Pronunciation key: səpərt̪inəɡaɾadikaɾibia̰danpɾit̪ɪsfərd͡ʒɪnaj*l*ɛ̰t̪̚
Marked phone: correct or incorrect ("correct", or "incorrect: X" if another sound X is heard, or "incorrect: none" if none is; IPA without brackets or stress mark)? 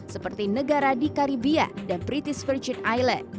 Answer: correct